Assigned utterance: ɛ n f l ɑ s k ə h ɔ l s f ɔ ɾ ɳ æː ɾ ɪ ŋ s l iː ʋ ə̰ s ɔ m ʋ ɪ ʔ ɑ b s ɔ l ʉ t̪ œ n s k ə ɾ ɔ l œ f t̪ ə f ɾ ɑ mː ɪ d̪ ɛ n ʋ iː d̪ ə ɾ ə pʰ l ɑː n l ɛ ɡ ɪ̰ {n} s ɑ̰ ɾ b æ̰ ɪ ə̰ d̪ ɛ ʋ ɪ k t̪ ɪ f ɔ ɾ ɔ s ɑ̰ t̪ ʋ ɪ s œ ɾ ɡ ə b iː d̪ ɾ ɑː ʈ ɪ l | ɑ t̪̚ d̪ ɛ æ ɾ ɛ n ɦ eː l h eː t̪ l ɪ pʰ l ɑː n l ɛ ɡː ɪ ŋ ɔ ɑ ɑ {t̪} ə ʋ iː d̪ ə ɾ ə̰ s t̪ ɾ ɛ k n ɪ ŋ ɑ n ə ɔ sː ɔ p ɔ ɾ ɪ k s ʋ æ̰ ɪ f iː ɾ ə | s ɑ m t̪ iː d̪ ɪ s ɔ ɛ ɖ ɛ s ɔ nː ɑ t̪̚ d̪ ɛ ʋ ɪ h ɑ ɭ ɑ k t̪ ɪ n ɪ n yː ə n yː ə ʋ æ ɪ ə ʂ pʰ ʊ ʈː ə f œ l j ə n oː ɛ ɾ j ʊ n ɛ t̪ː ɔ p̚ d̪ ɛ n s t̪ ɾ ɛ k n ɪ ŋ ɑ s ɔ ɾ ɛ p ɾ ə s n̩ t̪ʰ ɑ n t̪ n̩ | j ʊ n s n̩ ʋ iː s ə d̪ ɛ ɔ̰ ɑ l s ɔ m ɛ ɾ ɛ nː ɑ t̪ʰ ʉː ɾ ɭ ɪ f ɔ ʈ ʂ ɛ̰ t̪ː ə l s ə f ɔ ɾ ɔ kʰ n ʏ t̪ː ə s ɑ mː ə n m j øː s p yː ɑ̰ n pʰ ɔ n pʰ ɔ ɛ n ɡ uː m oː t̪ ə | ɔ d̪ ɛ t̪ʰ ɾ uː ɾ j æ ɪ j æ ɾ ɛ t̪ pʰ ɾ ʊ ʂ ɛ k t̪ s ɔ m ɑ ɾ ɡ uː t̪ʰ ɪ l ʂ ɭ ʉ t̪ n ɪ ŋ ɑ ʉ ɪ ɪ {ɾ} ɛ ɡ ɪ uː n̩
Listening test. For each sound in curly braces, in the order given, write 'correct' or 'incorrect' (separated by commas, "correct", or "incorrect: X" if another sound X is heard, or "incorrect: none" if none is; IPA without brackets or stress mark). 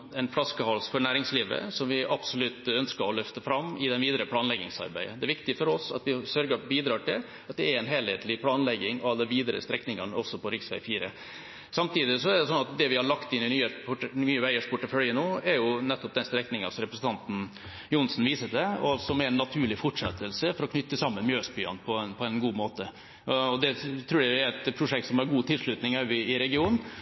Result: incorrect: ŋ, incorrect: d̪, correct